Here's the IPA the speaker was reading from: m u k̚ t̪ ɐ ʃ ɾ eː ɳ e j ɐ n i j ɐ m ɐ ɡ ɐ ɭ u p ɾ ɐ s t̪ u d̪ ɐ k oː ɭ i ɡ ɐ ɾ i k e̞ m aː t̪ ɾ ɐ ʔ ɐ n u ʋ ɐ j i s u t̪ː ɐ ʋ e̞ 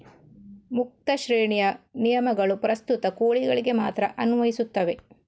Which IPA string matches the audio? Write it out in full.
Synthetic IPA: m u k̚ t̪ ɐ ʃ ɾ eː ɳ i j ɐ n i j ɐ m ɐ ɡ ɐ ɭ u p ɾ ɐ s t̪ u t̪ ɐ k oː ɭ i ɡ ɐ ɭ i ɡ e̞ m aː t̪ ɾ ɐ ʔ ɐ n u ʋ ɐ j i s u t̪ː ɐ ʋ e̞